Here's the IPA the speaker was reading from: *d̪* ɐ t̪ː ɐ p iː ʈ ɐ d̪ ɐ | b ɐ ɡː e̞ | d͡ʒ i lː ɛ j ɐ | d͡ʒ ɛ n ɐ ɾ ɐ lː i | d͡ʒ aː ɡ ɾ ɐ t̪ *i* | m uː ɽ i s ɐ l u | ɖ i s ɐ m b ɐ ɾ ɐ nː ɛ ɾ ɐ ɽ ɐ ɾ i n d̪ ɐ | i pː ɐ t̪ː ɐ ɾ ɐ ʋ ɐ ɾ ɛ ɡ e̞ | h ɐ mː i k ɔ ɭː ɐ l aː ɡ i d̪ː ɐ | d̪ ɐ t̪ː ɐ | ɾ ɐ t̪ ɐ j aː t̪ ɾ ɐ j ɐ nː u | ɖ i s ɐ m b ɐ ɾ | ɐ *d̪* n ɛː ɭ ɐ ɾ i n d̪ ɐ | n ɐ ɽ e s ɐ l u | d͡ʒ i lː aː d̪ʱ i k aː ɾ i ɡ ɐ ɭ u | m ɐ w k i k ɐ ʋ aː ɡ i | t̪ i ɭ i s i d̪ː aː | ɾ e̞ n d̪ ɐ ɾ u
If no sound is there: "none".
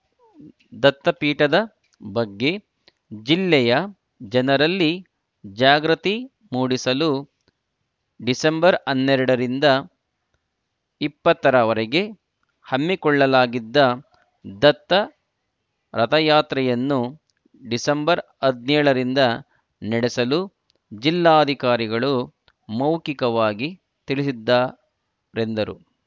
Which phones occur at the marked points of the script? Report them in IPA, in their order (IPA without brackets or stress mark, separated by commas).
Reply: d̪, i, d̪